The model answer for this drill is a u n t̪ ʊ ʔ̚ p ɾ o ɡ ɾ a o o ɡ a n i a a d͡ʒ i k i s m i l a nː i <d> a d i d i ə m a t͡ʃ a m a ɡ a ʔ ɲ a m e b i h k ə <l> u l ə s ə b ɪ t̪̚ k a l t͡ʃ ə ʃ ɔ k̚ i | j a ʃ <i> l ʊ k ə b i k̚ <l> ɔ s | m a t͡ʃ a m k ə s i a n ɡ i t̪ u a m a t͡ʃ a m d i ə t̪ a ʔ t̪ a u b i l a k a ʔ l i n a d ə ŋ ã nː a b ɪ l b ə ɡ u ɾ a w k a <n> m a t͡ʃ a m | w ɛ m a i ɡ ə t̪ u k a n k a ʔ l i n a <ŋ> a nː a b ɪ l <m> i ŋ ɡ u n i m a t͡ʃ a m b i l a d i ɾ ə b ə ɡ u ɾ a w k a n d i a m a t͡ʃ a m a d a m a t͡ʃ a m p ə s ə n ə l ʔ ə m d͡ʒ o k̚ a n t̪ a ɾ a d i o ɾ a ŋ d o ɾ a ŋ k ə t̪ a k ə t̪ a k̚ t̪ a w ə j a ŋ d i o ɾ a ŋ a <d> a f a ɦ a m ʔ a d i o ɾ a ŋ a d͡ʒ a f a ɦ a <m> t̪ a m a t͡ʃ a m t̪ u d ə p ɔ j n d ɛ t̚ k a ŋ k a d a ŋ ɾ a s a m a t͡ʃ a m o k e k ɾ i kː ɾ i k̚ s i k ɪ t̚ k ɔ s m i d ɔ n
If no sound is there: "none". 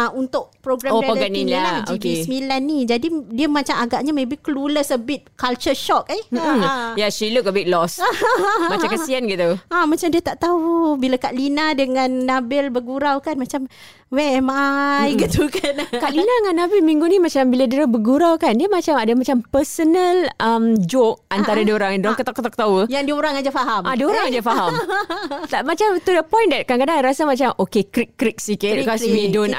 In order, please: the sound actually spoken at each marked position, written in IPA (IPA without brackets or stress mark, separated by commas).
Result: d͡ʒ, l, i, l, n, ŋ, m, d͡ʒ, m